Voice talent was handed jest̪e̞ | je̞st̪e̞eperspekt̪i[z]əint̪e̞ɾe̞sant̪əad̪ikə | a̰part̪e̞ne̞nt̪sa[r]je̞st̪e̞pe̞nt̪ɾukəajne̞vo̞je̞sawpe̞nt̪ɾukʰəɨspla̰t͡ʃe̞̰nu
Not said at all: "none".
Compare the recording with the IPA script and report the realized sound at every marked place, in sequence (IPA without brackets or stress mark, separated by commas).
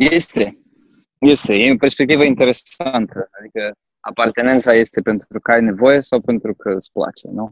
v, none